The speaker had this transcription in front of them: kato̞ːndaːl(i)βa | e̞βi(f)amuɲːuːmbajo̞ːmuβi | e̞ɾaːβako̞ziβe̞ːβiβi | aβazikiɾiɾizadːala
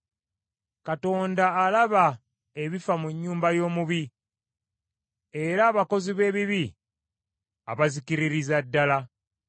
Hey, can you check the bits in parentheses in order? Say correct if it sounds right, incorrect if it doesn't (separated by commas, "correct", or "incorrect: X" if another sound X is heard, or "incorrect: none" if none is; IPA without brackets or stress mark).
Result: incorrect: a, correct